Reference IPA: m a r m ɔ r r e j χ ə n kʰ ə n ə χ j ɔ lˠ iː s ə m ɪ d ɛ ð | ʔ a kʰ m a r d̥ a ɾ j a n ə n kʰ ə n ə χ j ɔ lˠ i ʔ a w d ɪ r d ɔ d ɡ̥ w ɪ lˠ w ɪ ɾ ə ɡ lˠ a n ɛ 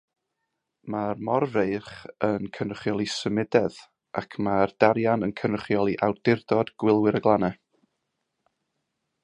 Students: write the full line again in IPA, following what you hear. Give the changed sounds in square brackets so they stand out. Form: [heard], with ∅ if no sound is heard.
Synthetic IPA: m a r m ɔ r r e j χ ə n kʰ ə n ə χ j ɔ lˠ [i] s ə m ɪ d ɛ ð | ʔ a kʰ m a r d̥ a ɾ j a n ə n kʰ ə n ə χ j ɔ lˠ i ʔ a w d ɪ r d ɔ d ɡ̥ w ɪ lˠ w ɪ ɾ ə ɡ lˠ a n ɛ

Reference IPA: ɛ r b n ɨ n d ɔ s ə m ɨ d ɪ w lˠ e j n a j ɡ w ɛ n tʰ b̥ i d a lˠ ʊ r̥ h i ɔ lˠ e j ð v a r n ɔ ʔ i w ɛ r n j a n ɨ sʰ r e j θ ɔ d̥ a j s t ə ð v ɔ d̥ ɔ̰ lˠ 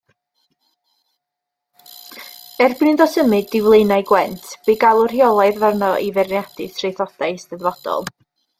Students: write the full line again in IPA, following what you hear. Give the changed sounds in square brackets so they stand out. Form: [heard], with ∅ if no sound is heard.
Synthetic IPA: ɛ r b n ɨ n d ɔ s ə m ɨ d ɪ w lˠ e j n a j ɡ w ɛ n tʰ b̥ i [ɡ] a lˠ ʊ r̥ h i ɔ lˠ [a] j ð v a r n ɔ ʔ i [v] ɛ r n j a [d] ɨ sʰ r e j θ ɔ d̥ a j s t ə ð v ɔ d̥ ɔ̰ lˠ

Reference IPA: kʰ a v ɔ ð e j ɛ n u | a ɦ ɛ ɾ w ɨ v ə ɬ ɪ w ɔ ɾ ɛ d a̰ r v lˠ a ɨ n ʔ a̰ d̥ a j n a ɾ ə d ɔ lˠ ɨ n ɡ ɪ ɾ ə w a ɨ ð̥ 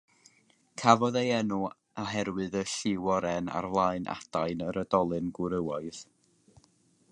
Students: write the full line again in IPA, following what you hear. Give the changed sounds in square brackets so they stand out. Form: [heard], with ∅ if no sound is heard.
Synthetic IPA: kʰ a v ɔ ð e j ɛ n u | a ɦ ɛ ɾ w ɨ [ð] ə ɬ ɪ w ɔ ɾ ɛ [n] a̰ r v lˠ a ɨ n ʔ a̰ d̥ a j n [ə] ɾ ə d ɔ lˠ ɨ n ɡ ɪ ɾ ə w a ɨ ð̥

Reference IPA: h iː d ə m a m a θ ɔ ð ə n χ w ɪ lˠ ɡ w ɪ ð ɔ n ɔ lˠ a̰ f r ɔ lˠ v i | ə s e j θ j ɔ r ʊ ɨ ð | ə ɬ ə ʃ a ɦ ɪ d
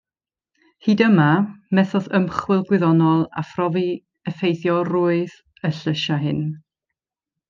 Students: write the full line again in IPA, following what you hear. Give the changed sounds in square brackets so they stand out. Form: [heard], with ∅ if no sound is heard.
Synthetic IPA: h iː d ə m a m [ɛ] θ ɔ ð ə [m] χ w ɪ lˠ ɡ w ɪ ð ɔ n ɔ lˠ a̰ f r ɔ [∅] v i | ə [f] e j θ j ɔ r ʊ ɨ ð | ə ɬ ə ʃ a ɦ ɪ [n]

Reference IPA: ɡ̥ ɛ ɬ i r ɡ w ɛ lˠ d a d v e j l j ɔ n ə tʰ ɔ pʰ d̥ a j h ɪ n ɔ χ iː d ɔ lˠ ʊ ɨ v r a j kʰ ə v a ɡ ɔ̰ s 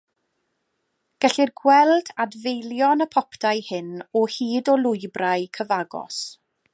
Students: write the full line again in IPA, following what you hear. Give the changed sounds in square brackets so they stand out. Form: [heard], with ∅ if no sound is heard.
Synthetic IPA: ɡ̥ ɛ ɬ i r ɡ w ɛ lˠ d a d v e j l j ɔ n ə [pʰ] ɔ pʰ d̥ a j h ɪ n ɔ [h] iː d ɔ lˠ ʊ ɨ [b] r a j kʰ ə v a ɡ ɔ̰ s

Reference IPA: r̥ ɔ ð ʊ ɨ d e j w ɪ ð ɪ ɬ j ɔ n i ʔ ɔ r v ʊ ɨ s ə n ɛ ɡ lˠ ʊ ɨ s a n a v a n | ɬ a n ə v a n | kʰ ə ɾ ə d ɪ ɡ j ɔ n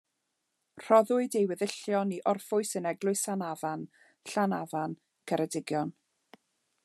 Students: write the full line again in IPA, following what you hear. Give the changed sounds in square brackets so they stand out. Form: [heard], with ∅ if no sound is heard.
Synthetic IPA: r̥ ɔ ð ʊ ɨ d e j w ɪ ð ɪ ɬ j ɔ n i ʔ ɔ r [f] ʊ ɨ s ə n ɛ ɡ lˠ ʊ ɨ s a n a v a n | ɬ a n [a] v a n | kʰ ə ɾ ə d ɪ ɡ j ɔ n

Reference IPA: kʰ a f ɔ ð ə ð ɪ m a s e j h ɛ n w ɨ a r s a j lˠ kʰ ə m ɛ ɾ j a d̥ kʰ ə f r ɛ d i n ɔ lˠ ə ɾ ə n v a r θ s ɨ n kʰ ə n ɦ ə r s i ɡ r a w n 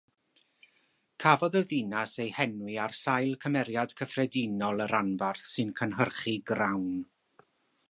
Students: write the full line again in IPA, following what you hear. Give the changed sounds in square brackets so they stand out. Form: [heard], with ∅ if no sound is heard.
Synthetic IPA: kʰ a [v] ɔ ð ə ð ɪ [n] a s e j h ɛ n w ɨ a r s a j lˠ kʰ ə m ɛ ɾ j a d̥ kʰ ə f r ɛ d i n ɔ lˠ ə ɾ [a] n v a r θ s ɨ n kʰ ə n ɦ ə r [χ] i ɡ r a w n

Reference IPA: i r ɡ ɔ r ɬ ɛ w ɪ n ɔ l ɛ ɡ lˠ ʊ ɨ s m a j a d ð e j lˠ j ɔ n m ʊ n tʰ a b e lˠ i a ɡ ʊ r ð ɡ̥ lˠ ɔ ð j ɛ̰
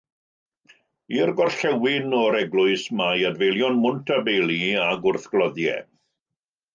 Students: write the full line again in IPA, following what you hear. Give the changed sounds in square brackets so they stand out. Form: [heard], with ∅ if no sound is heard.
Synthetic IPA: i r ɡ ɔ r ɬ ɛ w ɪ n ɔ [ɾ] ɛ ɡ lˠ ʊ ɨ s m a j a d [v] e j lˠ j ɔ n m ʊ n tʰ a b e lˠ i a ɡ ʊ r [θ] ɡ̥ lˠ ɔ ð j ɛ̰

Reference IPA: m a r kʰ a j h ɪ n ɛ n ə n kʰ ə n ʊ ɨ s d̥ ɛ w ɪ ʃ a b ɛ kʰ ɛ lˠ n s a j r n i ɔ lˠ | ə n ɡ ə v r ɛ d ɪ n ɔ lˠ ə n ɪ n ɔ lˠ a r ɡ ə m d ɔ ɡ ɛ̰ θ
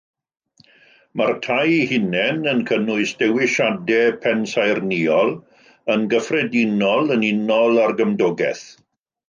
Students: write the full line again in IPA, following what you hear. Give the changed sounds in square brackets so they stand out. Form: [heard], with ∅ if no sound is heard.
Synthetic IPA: m a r [tʰ] a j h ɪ n ɛ n ə n kʰ ə n ʊ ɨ s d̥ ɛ w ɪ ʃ a [d] ɛ [pʰ] ɛ [∅] n s a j r n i ɔ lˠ | ə n ɡ ə [f] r ɛ d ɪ n ɔ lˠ ə n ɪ n ɔ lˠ a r ɡ ə m d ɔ ɡ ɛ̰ θ

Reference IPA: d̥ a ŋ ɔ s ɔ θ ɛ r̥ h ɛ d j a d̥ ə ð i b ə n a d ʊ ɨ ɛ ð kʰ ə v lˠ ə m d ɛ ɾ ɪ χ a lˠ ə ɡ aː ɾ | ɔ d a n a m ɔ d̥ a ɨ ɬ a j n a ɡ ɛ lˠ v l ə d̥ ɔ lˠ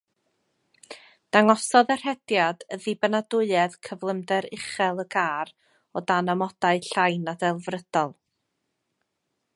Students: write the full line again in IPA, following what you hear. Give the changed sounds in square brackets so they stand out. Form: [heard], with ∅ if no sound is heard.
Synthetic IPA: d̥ a ŋ ɔ s ɔ [ð] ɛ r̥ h ɛ d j a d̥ ə ð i b ə n a d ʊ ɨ ɛ ð kʰ ə v lˠ ə m d ɛ ɾ ɪ χ [ɛ] lˠ ə ɡ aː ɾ | ɔ d a n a m ɔ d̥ a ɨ ɬ a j n a [d] ɛ lˠ v [r] ə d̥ ɔ lˠ

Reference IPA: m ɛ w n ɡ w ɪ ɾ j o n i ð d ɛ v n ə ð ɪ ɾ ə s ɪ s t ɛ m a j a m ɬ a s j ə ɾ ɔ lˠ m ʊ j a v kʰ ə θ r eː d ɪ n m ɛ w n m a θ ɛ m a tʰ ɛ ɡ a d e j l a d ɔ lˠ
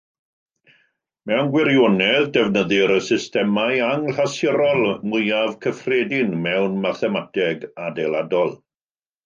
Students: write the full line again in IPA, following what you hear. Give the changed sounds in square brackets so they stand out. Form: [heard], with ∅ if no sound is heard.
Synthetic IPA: m ɛ w n ɡ w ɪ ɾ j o n [ɛ] ð d ɛ v n ə ð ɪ ɾ ə s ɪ s t ɛ m a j a [ŋ] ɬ a s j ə ɾ ɔ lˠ m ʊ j a v kʰ ə [f] r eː d ɪ n m ɛ w n m a θ ɛ m a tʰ ɛ ɡ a d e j l a d ɔ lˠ

